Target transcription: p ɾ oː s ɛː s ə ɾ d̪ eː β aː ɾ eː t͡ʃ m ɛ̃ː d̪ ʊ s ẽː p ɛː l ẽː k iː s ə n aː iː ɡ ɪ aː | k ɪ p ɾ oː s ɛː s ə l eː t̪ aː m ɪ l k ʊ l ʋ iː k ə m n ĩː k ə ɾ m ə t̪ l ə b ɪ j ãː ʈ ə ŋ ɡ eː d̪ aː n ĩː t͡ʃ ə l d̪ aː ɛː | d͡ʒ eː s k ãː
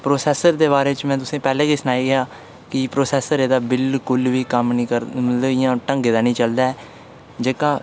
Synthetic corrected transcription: p ɾ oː s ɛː s ə ɾ d̪ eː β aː ɾ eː t͡ʃ m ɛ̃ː t̪ ʊ s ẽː p ɛː l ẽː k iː s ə n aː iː ɡ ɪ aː | k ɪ p ɾ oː s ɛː s ə ɾ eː d̪ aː b ɪ l k ʊ l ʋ iː k ə m n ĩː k ə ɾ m ə t̪ l ə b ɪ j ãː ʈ ə ŋ ɡ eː d̪ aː n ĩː t͡ʃ ə l d̪ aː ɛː | d͡ʒ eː k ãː